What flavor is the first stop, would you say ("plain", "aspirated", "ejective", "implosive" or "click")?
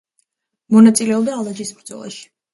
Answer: plain